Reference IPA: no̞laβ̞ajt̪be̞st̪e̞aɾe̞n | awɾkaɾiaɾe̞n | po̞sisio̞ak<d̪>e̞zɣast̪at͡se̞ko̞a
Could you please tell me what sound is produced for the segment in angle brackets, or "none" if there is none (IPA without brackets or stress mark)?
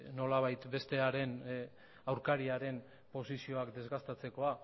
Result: d̪